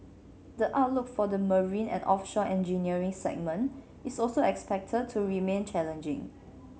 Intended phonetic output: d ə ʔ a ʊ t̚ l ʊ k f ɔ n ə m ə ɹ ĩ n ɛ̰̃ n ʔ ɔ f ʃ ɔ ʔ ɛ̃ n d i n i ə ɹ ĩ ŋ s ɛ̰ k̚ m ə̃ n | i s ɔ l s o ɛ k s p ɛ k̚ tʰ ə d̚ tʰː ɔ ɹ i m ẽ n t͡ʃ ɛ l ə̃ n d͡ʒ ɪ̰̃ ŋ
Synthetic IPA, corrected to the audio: d ə ʔ a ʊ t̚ l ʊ k f ɔ d ə m ə ɹ ĩ n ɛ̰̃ n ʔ ɔ f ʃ ɔ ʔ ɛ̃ n d͡ʒ i n i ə ɹ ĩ ŋ s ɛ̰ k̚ m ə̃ n | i s ɔ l s o ɛ k s p ɛ k̚ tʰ ə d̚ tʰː u ɹ i m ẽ n t͡ʃ ɛ l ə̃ n d͡ʒ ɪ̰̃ ŋ